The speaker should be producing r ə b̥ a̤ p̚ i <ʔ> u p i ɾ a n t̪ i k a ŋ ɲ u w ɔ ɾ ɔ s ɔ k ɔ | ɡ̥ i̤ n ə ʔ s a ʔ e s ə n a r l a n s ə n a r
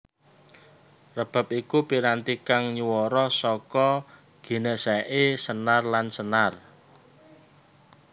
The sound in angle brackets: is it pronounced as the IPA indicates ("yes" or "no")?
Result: no